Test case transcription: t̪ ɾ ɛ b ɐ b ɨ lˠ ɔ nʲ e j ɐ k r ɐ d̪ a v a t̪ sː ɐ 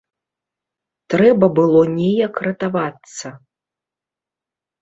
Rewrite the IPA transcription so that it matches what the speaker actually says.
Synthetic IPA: t̪ ɾ ɛ b ɐ b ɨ lˠ ɔ nʲ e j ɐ k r ɐ t̪ a v a t̪ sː ɐ